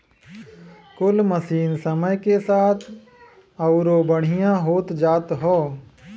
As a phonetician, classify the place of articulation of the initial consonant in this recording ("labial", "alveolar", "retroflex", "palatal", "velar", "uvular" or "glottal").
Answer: velar